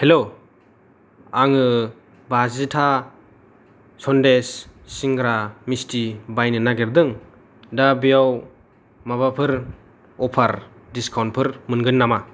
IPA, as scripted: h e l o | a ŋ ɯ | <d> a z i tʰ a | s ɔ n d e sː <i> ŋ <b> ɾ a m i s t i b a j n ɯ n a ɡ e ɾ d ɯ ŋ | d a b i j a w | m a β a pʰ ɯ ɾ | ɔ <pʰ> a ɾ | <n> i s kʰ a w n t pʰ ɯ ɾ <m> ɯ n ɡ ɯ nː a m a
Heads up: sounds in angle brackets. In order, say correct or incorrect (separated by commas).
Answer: incorrect, correct, incorrect, correct, incorrect, correct